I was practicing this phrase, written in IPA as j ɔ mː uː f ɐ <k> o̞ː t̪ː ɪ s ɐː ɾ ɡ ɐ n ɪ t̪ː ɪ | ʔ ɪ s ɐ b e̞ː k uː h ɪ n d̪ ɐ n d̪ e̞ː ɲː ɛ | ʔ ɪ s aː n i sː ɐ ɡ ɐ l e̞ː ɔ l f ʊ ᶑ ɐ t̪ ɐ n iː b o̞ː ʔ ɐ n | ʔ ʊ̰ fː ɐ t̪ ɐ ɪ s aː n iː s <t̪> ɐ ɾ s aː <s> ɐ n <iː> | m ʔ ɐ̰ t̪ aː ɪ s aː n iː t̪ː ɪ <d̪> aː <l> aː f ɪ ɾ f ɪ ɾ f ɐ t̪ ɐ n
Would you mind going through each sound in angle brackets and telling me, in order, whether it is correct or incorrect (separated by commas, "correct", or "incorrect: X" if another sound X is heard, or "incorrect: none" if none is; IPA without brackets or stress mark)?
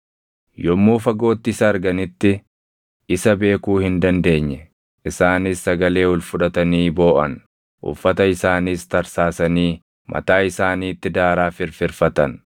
incorrect: ɡ, correct, correct, correct, correct, incorrect: ɾ